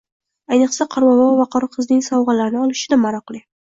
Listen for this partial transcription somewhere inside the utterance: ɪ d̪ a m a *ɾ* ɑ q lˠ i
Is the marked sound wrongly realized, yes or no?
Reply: no